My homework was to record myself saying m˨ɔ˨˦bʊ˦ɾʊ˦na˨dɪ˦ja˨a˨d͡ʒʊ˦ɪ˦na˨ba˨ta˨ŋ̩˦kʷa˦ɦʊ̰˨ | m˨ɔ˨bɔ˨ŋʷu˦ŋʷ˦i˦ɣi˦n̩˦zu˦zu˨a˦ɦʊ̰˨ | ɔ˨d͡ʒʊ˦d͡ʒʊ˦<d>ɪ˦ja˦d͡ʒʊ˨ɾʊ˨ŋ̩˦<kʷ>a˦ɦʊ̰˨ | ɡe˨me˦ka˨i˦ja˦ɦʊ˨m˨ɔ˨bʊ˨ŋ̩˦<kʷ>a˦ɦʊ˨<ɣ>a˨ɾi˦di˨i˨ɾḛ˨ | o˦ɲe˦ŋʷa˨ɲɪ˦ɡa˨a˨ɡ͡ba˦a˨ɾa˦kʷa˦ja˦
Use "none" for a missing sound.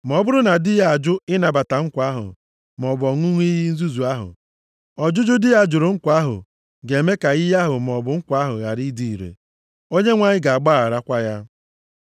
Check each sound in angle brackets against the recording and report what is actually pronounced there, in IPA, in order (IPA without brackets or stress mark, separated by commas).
d, kʷ, kʷ, ɣ